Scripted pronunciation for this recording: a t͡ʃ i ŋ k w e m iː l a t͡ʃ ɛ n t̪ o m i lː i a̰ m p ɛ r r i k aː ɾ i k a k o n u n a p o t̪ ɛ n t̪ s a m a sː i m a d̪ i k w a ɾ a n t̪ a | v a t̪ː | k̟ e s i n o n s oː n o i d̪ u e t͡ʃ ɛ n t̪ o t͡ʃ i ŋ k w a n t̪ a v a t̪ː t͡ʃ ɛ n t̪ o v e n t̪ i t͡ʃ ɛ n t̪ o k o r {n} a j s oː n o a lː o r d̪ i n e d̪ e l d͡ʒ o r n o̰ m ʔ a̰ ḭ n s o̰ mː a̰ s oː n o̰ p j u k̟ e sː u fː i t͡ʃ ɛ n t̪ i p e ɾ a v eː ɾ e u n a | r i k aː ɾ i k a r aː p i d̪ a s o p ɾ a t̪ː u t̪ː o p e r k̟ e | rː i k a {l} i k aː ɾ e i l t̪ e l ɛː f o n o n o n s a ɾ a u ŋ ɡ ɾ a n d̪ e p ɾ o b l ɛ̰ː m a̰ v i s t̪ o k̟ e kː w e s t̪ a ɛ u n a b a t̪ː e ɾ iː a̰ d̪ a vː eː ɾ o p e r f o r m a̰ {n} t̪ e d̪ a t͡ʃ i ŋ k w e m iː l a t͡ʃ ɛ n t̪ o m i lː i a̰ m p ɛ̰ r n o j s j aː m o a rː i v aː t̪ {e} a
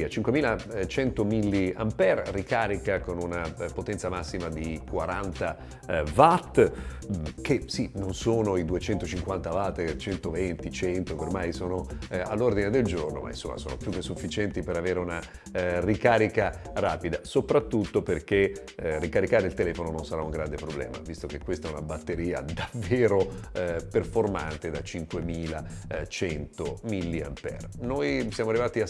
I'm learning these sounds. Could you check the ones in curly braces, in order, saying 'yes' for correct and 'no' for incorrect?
no, no, yes, no

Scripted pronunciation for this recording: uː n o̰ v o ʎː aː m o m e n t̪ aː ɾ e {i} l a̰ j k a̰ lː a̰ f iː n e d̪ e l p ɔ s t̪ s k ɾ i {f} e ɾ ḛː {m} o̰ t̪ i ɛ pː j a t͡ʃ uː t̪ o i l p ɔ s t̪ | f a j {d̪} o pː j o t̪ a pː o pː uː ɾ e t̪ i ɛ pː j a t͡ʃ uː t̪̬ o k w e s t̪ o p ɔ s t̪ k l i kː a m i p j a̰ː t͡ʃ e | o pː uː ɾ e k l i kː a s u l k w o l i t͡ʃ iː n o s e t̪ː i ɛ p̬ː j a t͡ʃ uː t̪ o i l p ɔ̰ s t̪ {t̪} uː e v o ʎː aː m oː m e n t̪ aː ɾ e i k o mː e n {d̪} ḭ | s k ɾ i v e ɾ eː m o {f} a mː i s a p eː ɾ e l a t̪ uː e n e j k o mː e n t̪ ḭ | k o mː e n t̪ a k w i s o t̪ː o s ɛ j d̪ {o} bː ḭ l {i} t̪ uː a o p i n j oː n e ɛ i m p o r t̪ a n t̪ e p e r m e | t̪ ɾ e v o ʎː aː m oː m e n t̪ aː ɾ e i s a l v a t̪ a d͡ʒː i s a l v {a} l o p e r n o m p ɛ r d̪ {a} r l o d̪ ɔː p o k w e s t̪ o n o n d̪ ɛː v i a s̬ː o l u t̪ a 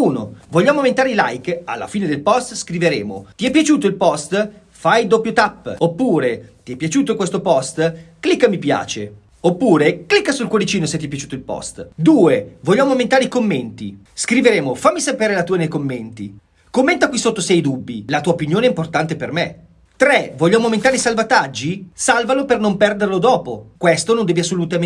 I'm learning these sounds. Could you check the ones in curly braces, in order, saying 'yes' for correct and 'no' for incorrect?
yes, no, yes, yes, no, no, yes, no, no, yes, no

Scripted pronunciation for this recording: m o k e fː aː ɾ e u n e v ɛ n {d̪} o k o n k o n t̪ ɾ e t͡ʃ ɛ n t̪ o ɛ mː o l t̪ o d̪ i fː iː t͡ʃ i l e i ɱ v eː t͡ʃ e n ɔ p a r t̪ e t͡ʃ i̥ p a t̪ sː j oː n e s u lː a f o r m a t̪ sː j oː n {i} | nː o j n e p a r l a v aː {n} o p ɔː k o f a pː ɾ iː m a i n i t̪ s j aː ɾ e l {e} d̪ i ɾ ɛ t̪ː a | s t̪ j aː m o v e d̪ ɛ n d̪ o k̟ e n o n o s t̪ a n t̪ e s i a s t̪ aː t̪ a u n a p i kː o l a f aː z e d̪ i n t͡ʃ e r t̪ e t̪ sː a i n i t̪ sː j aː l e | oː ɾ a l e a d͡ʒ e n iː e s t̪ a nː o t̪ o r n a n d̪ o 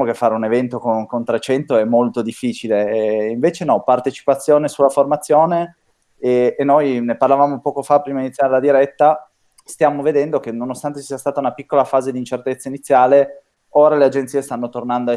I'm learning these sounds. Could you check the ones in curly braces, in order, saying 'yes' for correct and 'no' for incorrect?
no, no, no, no

